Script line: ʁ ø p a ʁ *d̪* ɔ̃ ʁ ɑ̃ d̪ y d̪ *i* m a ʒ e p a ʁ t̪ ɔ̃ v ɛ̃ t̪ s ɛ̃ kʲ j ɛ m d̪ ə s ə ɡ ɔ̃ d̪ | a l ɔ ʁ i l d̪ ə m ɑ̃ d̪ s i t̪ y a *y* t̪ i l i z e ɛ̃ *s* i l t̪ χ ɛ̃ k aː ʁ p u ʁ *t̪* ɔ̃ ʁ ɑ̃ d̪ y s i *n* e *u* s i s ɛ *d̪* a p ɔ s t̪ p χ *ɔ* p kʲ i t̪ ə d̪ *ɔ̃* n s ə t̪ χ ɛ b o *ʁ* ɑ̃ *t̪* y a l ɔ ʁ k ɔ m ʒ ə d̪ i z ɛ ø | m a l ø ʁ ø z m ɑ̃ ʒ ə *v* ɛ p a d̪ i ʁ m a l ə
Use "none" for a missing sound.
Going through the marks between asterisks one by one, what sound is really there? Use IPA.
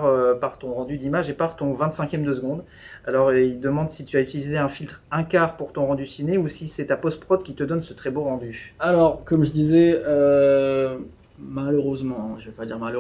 t̪, i, y, f, t̪, n, u, t̪, ɔ, ɔ, ʁ, d̪, v

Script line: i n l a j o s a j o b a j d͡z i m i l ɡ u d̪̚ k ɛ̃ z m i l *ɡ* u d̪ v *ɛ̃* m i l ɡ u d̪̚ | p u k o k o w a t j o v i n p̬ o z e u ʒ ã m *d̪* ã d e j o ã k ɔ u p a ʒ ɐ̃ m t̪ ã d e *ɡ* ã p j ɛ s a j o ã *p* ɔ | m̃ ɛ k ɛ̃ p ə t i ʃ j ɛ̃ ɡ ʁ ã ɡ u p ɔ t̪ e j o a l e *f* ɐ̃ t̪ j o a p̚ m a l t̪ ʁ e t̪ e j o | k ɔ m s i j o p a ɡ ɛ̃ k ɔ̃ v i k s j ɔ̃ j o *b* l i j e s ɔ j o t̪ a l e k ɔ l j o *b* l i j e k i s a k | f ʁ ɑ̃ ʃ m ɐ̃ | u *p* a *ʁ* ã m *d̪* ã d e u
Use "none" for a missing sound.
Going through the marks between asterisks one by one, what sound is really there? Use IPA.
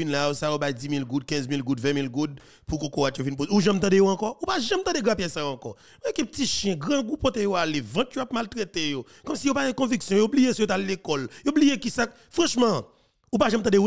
ɡ, ɛ̃, t̪, ɡ, k, v, b, b, p, ʒ, t̪

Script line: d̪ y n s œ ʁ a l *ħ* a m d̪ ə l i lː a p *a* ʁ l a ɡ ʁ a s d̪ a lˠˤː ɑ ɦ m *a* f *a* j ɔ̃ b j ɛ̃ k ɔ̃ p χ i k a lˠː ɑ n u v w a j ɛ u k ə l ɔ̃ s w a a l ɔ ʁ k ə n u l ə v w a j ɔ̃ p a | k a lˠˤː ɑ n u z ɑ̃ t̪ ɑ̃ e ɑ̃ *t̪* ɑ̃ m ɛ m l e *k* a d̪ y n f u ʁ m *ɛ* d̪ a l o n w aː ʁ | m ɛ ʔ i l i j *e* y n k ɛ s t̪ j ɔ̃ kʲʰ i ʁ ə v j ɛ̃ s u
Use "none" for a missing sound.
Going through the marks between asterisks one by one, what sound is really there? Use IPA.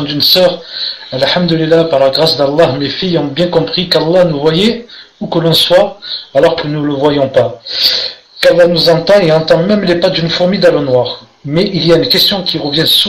ħ, a, e, i, t̪, p, i, a

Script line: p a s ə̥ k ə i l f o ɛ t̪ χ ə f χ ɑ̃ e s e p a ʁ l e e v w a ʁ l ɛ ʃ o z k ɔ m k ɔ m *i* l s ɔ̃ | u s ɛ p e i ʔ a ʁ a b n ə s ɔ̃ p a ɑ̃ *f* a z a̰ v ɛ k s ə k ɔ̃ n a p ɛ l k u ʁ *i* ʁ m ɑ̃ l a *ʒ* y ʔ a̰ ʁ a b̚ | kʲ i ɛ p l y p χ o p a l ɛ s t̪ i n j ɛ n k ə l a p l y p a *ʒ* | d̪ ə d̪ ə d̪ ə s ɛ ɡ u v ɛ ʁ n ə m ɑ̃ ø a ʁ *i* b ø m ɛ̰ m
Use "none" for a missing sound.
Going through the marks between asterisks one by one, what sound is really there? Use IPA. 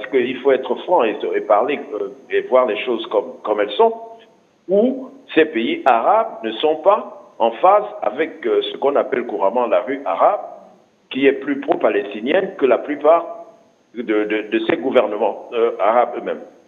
ɛ, f, a, ʁ, ʁ, a

